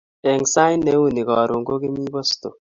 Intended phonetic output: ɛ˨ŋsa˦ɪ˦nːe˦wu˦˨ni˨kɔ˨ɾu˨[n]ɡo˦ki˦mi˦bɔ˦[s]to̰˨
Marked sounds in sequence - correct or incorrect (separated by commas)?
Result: incorrect, correct